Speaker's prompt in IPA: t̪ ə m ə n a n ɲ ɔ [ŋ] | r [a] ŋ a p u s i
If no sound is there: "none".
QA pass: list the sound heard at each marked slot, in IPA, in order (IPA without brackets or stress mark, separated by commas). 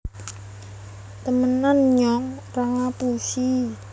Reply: ŋ, a